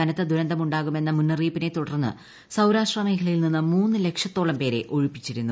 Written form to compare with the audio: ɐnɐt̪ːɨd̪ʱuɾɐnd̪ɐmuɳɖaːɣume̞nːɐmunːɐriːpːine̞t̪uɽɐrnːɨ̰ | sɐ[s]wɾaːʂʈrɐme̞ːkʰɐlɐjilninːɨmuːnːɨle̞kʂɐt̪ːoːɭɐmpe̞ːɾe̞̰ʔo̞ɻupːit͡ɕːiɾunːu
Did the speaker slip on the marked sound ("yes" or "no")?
yes